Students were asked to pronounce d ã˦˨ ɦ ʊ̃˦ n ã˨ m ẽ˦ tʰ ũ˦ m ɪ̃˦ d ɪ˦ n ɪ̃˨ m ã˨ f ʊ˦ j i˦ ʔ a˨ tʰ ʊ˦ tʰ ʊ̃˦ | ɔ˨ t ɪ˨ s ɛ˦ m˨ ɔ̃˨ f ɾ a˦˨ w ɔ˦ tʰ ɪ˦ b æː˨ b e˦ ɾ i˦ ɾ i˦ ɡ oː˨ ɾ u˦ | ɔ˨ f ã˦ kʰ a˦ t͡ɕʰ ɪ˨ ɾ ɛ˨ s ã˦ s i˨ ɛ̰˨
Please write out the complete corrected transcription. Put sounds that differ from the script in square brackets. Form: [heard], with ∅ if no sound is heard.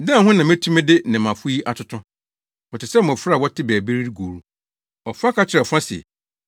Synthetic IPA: d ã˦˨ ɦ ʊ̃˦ n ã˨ m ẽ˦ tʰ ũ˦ m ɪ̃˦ d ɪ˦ n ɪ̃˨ m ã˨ f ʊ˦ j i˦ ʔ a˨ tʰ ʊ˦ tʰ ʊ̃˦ | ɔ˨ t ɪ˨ s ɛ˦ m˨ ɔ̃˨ f ɾ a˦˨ w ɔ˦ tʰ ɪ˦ b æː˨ b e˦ ɾ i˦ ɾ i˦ ɡ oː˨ ɾ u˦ | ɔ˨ f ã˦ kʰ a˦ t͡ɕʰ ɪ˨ ɾ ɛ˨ [f] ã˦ s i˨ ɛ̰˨